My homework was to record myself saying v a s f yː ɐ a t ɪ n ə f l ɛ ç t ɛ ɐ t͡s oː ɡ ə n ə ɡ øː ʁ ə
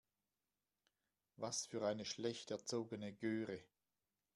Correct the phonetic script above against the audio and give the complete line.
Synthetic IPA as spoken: v a s f yː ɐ a ɪ n ə ʃ l ɛ ç t ɛ ɐ t͡s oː ɡ ə n ə ɡ øː ʁ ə